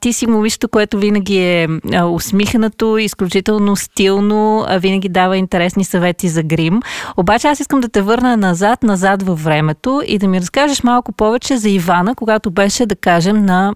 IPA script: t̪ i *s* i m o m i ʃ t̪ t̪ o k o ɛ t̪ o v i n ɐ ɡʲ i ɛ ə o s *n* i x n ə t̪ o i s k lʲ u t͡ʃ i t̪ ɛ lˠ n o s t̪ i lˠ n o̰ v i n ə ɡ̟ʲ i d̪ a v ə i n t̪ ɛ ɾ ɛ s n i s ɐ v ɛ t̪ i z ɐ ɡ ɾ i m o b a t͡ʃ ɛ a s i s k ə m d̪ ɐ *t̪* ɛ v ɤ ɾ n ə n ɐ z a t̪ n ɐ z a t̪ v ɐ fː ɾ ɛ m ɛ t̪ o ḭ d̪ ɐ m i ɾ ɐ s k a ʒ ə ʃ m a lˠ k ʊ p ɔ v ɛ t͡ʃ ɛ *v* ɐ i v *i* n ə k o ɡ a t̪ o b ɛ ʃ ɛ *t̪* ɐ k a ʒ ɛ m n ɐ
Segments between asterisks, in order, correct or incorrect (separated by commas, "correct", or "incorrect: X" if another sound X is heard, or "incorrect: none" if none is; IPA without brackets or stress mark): correct, incorrect: m, correct, incorrect: z, incorrect: a, incorrect: d̪